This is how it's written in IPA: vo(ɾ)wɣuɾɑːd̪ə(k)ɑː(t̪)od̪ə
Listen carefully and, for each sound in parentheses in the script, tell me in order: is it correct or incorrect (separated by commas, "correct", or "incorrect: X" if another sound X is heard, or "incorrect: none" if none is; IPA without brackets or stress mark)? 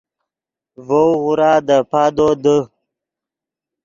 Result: incorrect: none, incorrect: p, incorrect: d̪